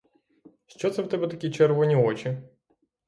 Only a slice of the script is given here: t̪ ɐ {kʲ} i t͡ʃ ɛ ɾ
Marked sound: correct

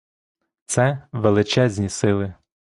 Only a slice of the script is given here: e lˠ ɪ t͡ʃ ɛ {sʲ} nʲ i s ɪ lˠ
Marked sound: incorrect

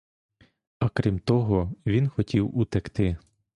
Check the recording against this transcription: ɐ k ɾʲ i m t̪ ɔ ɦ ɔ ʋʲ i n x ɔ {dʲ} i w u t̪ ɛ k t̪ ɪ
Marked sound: incorrect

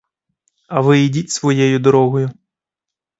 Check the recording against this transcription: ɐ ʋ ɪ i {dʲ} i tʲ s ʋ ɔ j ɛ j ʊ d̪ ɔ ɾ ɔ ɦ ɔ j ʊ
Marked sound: correct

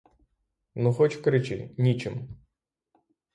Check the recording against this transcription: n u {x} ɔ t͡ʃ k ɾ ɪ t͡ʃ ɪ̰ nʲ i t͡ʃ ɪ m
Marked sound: correct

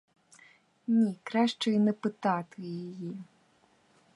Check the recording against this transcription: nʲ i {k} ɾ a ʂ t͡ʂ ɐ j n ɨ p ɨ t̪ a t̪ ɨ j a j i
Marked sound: correct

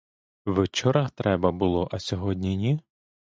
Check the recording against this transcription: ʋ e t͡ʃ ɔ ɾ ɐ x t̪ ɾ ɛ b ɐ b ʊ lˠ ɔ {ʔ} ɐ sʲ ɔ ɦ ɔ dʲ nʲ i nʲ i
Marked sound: correct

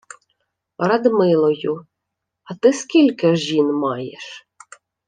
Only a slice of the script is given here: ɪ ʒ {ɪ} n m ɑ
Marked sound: incorrect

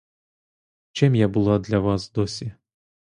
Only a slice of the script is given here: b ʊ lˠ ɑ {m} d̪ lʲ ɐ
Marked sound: incorrect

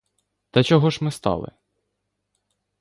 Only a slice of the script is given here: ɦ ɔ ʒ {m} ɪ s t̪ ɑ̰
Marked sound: correct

